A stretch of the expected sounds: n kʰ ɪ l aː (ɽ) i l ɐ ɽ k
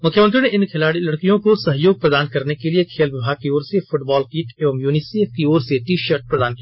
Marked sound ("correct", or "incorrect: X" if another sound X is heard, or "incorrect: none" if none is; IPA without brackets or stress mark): correct